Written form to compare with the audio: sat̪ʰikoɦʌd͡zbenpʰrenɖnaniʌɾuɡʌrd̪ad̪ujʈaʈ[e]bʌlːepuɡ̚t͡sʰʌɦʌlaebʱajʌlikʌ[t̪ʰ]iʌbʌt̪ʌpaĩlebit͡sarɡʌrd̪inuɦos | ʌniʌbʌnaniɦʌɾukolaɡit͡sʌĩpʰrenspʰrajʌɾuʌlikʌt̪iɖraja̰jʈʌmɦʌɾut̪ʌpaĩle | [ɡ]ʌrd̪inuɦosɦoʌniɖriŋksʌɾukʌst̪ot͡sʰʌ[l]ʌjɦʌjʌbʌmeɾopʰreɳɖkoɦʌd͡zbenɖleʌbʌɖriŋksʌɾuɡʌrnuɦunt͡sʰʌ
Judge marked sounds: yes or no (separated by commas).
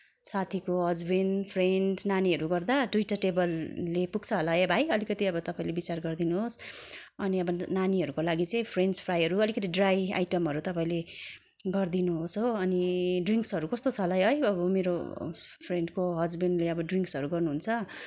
yes, no, yes, yes